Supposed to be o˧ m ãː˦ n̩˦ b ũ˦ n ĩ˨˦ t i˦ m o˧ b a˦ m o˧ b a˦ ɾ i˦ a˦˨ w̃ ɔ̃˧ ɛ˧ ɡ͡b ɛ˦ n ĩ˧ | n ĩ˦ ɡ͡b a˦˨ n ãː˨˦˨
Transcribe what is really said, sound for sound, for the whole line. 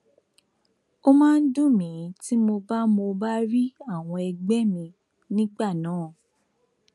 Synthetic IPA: o˧ m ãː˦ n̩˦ d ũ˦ m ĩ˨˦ t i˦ m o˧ b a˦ m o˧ b a˦ ɾ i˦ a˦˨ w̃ ɔ̃˧ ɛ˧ ɡ͡b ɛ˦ m ĩ˧ | n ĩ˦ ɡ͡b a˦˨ n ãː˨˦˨